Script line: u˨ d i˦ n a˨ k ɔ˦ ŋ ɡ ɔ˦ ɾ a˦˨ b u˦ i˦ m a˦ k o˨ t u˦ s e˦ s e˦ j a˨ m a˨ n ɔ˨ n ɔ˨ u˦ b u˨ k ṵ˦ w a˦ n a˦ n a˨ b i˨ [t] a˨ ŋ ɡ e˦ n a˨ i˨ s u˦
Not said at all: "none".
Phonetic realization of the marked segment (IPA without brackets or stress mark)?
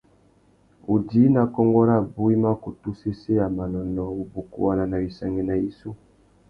s